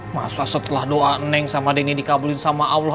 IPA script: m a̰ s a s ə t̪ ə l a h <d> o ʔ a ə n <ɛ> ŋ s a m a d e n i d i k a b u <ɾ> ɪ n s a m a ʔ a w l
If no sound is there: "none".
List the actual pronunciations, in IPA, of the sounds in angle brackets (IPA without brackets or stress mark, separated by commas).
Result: d, ɛ, l